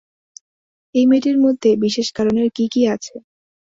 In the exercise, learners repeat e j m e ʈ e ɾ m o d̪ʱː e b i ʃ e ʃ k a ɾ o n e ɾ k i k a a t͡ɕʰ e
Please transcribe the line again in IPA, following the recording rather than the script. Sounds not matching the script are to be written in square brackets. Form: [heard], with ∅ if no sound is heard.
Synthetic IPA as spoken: e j m e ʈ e ɾ m o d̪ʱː e b i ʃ e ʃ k a ɾ o n e ɾ k i k [i] a t͡ɕʰ e